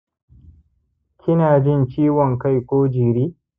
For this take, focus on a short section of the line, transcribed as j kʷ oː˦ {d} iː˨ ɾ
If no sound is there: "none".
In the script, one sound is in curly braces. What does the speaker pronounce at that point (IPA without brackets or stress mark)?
d͡ʒ